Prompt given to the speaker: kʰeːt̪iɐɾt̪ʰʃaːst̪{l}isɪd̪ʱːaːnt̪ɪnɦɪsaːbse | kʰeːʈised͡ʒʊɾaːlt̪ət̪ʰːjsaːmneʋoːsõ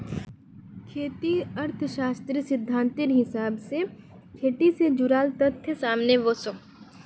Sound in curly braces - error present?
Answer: yes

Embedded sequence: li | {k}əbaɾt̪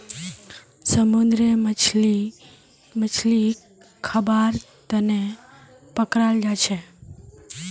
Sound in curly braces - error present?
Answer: yes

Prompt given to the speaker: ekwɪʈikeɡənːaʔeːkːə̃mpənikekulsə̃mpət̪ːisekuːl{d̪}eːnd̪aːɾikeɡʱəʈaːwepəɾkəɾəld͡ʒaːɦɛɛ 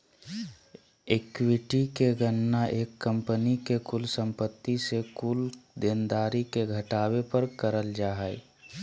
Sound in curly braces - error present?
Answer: no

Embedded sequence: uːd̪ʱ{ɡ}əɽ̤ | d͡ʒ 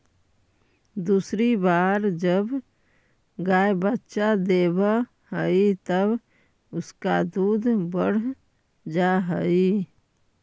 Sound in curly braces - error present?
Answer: yes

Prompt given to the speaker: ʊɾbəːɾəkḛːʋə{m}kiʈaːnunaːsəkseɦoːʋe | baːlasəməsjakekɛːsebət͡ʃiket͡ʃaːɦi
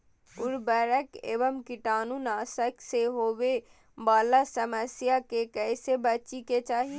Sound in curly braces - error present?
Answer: no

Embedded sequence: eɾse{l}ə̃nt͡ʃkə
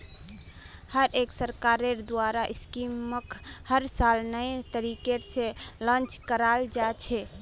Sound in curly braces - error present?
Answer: no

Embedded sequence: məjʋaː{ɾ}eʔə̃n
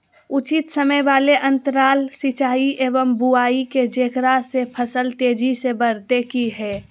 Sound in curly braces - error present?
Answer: yes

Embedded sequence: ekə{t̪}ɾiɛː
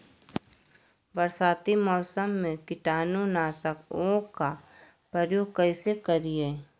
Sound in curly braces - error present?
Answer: yes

